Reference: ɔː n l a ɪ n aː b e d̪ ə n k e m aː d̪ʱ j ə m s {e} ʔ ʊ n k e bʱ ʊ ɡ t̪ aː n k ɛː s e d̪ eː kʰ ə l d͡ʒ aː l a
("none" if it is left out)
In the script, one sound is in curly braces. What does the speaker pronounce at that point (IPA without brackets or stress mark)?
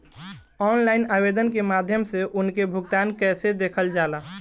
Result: e